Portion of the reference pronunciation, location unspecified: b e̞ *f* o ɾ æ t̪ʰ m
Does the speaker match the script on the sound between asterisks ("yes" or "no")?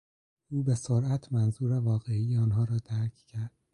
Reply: no